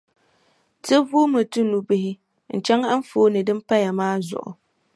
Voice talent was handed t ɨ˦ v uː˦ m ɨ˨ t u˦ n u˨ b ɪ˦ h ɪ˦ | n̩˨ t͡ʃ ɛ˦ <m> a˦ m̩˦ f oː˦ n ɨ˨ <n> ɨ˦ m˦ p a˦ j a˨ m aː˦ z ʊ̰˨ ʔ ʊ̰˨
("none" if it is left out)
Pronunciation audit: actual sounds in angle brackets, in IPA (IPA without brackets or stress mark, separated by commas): ŋ, d